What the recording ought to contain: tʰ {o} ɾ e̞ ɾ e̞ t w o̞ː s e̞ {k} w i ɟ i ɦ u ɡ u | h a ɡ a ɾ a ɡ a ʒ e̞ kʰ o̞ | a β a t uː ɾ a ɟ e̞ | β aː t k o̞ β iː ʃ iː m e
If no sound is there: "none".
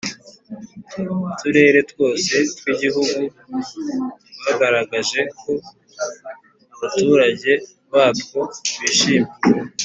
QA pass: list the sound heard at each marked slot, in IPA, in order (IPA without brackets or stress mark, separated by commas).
u, t